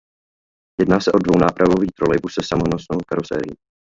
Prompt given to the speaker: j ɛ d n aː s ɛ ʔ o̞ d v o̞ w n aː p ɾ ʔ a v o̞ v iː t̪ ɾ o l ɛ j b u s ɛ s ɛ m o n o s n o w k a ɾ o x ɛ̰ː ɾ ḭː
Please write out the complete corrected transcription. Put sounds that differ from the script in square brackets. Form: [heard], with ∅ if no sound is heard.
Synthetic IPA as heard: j ɛ d n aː s ɛ ʔ o̞ d v o̞ w n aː p ɾ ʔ a v o̞ v iː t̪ ɾ o l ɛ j b u s ɛ s [a] m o n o s n o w k a ɾ o [s] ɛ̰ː ɾ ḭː